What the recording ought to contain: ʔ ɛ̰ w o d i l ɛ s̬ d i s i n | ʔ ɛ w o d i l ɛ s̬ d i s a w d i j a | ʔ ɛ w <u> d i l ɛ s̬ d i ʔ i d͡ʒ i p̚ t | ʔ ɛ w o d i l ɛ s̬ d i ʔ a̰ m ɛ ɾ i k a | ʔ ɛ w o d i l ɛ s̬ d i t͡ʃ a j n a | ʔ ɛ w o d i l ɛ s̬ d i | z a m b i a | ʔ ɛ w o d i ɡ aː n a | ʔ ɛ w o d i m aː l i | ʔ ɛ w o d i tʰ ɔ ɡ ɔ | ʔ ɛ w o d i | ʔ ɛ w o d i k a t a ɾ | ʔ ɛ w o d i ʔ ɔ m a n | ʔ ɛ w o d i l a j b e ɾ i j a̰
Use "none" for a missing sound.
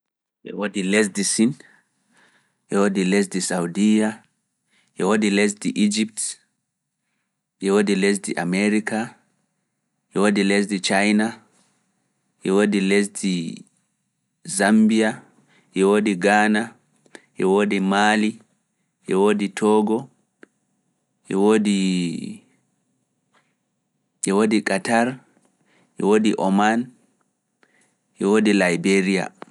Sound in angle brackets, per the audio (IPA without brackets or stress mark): o